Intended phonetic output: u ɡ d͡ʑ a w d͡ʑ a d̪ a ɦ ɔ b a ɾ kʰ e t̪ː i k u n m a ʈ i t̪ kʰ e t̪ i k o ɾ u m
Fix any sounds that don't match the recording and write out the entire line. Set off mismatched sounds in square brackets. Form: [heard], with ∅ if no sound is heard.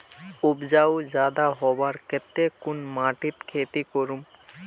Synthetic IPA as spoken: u [b] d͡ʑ a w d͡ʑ a d̪ a ɦ ɔ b a ɾ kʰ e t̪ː [e] k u n m a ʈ i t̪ kʰ e t̪ i k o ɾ u m